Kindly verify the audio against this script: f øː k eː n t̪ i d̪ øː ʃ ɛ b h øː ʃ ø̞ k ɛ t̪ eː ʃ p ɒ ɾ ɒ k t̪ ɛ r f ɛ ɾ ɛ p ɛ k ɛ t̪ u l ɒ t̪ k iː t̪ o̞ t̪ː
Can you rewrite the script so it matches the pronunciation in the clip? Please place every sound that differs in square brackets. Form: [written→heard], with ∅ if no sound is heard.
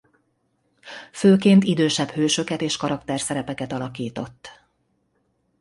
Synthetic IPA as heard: f øː k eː n t̪ i d̪ øː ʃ ɛ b h øː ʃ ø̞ k ɛ t̪ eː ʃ [p→k] ɒ ɾ ɒ k t̪ ɛ r [f→s] ɛ ɾ ɛ p ɛ k ɛ t̪ [u→ɒ] l ɒ [t̪→∅] k iː t̪ o̞ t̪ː